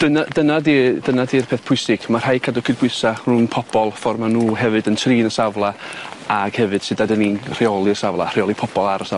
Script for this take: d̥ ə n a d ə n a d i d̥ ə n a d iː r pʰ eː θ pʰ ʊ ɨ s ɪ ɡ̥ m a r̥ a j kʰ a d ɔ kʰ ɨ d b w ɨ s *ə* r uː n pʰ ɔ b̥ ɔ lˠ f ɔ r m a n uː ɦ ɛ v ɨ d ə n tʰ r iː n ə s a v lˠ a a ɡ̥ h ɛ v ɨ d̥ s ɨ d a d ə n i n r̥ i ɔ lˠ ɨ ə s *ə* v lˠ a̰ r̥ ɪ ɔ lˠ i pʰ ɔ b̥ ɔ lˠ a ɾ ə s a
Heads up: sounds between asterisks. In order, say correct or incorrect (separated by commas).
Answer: incorrect, incorrect